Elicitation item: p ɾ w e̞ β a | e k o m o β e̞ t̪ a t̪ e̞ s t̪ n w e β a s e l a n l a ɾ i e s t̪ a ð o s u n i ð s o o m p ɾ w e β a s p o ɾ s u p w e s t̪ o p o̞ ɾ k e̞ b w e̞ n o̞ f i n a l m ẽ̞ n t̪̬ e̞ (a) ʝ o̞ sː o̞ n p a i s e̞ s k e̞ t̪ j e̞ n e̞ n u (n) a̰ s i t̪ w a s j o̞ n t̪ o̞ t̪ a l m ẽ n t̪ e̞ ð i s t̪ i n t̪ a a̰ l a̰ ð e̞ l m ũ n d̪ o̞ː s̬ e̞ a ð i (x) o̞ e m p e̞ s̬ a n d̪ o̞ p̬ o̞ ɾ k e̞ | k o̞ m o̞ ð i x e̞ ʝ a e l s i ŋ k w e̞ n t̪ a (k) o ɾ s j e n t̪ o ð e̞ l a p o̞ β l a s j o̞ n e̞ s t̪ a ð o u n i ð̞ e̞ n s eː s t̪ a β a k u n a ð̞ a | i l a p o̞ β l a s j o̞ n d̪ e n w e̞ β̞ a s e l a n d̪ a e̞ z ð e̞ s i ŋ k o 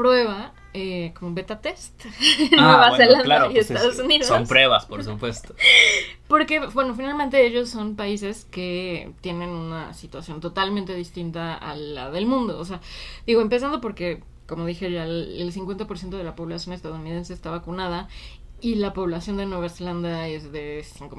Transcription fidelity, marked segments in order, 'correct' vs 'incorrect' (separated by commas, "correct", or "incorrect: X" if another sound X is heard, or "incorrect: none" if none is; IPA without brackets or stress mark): incorrect: e, correct, incorrect: ɣ, incorrect: p